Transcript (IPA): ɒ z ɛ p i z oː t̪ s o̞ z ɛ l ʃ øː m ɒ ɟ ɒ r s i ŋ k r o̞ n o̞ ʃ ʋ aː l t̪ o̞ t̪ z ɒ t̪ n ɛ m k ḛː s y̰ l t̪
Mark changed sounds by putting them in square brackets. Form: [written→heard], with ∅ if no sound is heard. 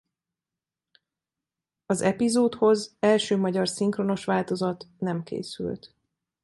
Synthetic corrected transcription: ɒ z ɛ p i z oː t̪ [s→h] o̞ z ɛ l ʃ øː m ɒ ɟ ɒ r s i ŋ k r o̞ n o̞ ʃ ʋ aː l t̪ o̞ [t̪→∅] z ɒ t̪ n ɛ m k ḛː s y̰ l t̪